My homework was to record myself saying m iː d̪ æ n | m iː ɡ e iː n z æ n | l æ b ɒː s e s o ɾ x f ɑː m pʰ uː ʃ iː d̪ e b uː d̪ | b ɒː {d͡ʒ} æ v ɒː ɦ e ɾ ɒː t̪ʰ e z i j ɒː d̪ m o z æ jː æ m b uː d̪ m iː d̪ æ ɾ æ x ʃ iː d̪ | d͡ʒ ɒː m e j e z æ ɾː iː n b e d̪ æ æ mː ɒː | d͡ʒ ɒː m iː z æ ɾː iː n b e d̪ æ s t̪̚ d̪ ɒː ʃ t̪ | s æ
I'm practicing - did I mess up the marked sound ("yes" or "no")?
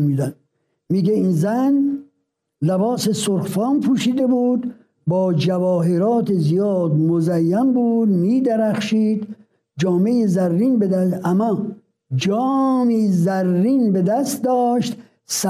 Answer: no